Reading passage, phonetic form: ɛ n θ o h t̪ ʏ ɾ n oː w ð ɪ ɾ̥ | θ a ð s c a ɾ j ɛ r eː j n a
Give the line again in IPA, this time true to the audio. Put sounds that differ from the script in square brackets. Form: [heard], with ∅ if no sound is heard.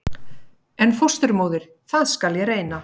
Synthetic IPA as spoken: ɛ n [f] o [s] t̪ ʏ ɾ [m] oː w ð ɪ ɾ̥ | θ a ð s [k] a [l] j ɛ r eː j n a